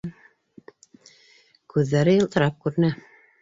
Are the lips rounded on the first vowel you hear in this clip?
yes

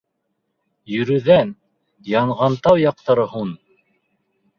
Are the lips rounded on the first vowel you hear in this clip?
yes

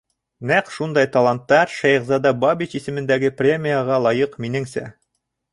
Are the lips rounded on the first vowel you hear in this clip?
no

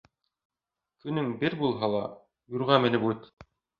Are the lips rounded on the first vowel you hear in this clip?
yes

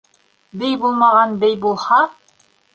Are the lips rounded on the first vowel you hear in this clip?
no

